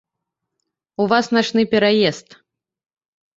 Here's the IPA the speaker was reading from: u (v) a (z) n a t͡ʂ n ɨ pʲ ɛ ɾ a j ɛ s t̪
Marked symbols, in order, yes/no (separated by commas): yes, no